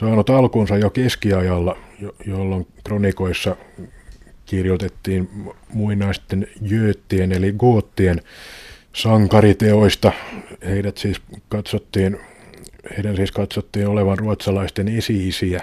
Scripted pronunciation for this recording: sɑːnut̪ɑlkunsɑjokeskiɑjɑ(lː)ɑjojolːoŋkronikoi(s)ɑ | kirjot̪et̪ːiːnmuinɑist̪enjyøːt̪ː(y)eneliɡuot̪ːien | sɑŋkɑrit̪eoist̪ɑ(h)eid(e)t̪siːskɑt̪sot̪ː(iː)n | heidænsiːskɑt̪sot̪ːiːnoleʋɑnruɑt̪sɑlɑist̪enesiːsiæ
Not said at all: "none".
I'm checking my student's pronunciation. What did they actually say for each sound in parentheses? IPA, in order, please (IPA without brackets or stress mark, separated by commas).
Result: lː, sː, i, h, æ, iː